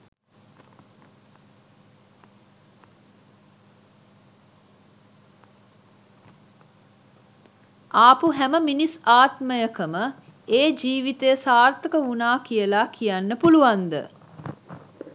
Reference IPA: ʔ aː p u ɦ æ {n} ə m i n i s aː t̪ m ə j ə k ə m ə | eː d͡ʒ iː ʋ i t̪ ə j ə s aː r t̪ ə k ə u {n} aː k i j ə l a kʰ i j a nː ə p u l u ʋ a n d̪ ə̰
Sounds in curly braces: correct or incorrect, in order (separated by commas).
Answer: incorrect, correct